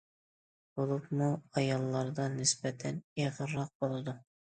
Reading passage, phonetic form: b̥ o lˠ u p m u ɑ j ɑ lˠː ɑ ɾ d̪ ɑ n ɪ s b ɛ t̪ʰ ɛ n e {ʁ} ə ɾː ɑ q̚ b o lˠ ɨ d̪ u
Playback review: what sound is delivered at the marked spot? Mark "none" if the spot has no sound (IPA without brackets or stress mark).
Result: ʁ